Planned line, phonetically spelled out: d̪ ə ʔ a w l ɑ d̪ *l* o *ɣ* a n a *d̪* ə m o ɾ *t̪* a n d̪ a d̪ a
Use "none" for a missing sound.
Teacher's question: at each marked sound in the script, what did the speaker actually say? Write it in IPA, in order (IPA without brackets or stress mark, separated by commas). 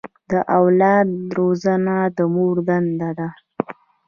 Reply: ɾ, z, d̪, d̪